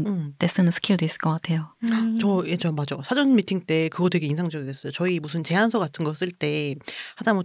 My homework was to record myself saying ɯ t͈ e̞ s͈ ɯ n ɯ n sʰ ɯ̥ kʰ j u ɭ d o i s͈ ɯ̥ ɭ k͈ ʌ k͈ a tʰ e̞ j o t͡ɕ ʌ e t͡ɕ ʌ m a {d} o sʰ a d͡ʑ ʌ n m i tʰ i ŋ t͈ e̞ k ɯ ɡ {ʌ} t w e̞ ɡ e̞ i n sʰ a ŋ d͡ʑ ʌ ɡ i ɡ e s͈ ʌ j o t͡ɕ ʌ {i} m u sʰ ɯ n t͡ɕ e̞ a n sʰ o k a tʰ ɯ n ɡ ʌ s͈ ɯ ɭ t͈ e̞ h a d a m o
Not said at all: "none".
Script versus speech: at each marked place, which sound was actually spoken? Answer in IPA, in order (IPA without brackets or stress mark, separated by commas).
d͡ʑ, ʌ, i